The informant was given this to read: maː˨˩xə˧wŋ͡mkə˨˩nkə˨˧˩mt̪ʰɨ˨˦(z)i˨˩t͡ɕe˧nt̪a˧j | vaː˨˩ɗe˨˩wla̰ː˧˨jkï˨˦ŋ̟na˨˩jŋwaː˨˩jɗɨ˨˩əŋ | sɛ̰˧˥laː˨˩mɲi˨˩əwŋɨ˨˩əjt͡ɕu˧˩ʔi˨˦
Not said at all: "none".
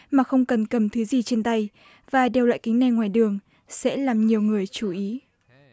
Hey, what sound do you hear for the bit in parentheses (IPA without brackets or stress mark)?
z